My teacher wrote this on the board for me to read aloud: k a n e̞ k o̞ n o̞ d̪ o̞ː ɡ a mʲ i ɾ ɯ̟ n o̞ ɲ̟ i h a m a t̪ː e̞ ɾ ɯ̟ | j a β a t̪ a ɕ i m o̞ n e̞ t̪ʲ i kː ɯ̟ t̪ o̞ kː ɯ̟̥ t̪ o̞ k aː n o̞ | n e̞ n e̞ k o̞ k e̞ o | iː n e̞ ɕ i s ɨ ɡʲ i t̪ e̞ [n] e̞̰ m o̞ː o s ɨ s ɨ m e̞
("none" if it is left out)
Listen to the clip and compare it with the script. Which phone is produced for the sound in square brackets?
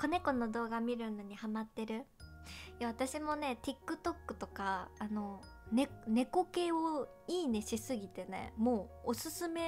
n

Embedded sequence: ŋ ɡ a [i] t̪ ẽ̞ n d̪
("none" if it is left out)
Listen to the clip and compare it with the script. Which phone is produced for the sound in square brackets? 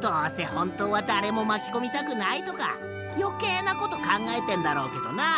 e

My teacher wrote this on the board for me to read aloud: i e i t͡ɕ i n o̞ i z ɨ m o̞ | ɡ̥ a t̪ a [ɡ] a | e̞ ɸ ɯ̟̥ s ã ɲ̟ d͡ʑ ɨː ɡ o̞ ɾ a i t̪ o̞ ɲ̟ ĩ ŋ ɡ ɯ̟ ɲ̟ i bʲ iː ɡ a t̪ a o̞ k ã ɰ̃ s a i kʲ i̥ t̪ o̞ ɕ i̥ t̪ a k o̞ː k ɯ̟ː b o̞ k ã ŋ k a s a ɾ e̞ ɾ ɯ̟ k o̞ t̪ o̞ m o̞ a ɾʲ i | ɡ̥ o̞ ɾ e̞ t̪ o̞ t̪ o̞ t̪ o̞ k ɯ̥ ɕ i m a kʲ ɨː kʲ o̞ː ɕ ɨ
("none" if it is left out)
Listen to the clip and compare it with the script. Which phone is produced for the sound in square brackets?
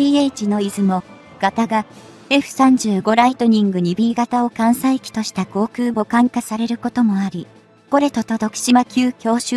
ɡ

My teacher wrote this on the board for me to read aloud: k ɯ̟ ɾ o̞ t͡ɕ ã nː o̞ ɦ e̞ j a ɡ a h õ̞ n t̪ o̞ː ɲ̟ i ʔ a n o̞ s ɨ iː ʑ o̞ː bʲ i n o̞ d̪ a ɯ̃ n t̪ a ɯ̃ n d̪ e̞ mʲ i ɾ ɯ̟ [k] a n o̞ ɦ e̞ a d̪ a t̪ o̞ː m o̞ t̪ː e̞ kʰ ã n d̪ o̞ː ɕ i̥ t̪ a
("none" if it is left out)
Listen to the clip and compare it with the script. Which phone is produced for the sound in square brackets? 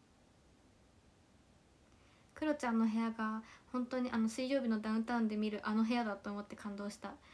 ʔ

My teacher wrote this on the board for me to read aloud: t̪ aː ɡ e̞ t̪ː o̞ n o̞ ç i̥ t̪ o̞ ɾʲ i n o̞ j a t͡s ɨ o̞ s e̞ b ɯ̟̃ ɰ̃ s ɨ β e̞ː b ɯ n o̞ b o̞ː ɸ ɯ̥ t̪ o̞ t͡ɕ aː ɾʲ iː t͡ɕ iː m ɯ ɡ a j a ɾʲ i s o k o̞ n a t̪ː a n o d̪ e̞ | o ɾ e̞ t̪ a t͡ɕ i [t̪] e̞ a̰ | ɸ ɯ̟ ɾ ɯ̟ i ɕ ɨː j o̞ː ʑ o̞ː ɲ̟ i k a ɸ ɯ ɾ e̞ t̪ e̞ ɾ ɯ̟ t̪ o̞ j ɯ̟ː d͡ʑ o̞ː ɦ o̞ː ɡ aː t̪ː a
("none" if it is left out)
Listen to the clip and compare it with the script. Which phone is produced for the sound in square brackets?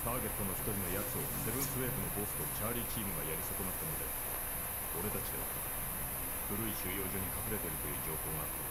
d̪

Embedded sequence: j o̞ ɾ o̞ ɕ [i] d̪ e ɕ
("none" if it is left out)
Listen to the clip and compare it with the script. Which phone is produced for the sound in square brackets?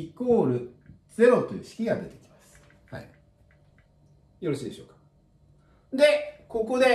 iː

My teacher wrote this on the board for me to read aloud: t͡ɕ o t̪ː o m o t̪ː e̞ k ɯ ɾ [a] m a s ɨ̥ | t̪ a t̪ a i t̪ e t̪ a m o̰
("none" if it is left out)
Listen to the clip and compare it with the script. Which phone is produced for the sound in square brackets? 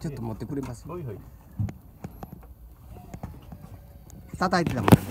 e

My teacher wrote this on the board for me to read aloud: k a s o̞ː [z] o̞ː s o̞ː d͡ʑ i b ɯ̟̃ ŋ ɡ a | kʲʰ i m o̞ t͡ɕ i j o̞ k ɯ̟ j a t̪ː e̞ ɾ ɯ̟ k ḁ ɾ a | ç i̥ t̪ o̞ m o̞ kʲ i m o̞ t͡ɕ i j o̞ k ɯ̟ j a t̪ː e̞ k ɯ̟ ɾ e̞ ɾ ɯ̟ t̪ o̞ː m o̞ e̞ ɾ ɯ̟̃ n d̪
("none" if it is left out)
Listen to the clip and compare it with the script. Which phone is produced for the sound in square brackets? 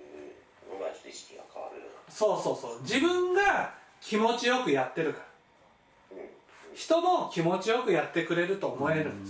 s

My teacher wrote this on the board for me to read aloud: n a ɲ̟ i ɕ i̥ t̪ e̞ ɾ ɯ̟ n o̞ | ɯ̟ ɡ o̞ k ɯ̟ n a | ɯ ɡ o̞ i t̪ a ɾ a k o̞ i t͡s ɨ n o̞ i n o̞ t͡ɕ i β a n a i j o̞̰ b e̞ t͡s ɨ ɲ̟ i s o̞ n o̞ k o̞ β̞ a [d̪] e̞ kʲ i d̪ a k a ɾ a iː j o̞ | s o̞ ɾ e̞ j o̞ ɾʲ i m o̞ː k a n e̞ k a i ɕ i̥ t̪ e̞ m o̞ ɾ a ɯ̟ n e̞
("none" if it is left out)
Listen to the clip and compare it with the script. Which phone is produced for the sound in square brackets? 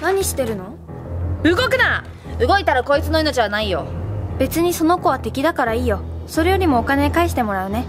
t̪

